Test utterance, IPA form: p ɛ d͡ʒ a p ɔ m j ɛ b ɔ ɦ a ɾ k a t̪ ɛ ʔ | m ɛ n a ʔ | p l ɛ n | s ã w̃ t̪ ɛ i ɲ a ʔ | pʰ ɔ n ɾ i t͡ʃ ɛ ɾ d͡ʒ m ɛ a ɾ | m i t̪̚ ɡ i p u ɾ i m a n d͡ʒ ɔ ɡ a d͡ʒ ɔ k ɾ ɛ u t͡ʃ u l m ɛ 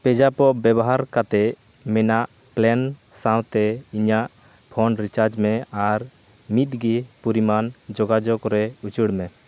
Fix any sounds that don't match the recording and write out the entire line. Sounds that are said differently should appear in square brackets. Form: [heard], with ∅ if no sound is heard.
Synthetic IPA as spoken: p ɛ d͡ʒ a p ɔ [b] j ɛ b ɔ ɦ a ɾ k a t̪ ɛ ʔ | m ɛ n a ʔ | p l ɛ n | s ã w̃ t̪ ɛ i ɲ a ʔ | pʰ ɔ n ɾ i t͡ʃ [a] ɾ d͡ʒ m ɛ a ɾ | m i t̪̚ ɡ i p u ɾ i m a n d͡ʒ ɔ ɡ a d͡ʒ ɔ k ɾ ɛ u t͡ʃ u [ɽ] m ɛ